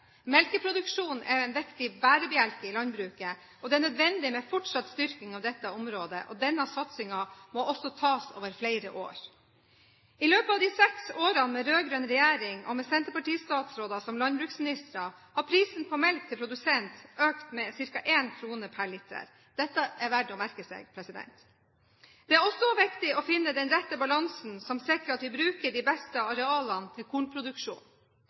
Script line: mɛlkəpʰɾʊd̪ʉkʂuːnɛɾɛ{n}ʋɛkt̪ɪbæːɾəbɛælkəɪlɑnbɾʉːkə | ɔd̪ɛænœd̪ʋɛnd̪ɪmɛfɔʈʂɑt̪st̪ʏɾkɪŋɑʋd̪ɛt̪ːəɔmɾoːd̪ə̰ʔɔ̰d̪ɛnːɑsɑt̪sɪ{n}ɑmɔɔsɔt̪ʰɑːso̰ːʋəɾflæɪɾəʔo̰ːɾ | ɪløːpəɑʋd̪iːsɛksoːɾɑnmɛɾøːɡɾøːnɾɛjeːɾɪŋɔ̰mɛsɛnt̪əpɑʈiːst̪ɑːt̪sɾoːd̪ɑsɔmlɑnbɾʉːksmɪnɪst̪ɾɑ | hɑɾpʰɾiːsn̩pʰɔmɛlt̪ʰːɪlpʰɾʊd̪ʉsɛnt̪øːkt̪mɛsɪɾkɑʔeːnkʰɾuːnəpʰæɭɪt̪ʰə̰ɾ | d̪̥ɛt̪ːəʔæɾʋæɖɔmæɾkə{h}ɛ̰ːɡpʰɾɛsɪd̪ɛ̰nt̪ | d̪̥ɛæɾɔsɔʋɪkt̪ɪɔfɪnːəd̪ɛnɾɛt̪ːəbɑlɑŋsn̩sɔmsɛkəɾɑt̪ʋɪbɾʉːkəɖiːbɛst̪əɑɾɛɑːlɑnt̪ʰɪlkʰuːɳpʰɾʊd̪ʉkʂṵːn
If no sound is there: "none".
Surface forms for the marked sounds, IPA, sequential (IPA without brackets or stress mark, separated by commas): n, ŋ, s